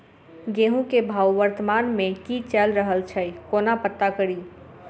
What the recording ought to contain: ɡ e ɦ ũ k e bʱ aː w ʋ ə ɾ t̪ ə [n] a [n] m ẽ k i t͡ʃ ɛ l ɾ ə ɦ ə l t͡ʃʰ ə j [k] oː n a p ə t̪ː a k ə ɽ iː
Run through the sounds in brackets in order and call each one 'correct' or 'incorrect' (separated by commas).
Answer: incorrect, correct, correct